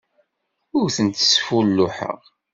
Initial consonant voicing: voiced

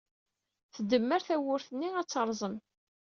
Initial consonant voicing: voiceless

